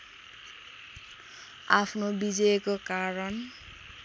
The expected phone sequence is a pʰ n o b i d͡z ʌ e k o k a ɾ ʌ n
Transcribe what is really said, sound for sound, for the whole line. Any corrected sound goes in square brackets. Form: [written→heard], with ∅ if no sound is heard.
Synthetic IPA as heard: a pʰ n o b i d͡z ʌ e k o k a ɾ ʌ n